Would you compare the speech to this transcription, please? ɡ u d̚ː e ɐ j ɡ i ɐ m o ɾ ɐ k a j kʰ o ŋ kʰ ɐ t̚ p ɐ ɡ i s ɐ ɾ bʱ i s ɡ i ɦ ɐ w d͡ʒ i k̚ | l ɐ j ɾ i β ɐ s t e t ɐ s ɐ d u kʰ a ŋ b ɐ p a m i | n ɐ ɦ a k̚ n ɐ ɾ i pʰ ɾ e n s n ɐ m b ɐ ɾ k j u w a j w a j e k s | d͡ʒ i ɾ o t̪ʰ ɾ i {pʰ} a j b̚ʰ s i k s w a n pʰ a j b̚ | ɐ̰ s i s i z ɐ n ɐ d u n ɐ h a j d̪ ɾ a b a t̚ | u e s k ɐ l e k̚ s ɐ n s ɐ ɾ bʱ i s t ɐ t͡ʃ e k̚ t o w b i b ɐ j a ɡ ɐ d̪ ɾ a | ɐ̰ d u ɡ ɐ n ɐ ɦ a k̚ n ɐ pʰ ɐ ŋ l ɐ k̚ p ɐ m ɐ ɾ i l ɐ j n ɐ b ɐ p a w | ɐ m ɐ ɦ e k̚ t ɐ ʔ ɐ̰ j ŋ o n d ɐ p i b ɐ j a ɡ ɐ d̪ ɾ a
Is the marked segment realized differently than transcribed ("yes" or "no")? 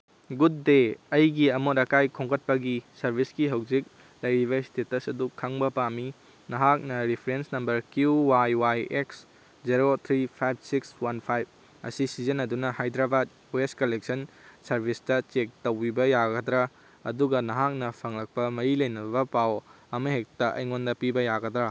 no